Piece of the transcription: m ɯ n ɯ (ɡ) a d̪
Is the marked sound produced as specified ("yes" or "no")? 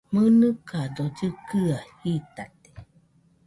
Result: no